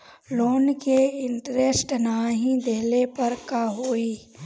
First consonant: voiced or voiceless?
voiced